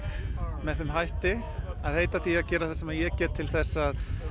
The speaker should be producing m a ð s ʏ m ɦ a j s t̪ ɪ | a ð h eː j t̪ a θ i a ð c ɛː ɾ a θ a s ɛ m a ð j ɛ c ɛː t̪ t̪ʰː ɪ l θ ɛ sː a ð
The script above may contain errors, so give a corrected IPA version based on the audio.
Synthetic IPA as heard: m ɛ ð θ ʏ m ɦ a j h t̪ ɪ | a ð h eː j t̪ a θ i a ð c ɛː ɾ a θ a s ɛ m a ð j ɛ c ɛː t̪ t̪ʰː ɪ l θ ɛ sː a ð